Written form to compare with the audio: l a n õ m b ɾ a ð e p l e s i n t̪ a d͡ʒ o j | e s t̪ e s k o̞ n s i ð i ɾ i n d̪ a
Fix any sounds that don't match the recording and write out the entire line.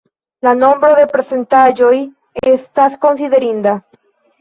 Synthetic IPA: l a n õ m b ɾ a ð e p ɾ e s e n t̪ a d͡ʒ o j | e s t̪ a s k o̞ n s i ð e ɾ i n d̪ a